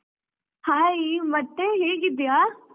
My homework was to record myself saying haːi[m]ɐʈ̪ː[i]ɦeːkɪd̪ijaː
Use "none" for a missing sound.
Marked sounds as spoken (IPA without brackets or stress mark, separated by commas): m, e